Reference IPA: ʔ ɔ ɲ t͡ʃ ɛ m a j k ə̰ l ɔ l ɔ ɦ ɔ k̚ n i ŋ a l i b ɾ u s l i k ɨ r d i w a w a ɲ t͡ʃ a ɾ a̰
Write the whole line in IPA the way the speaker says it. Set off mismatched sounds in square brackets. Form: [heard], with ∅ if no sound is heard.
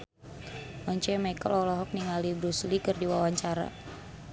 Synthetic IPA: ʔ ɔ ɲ t͡ʃ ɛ m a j k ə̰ l ɔ l ɔ ɦ ɔ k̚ n i ŋ a l i b ɾ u s l i k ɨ r d i w a w a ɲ t͡ʃ a ɾ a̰